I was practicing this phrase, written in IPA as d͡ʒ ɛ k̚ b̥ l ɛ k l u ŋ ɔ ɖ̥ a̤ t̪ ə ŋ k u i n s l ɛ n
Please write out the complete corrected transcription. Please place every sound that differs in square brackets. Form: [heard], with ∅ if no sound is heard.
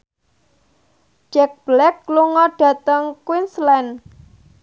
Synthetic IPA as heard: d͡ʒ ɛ k̚ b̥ l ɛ k l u ŋ ɔ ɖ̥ a̤ t̪ ə ŋ k [w] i n s l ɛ n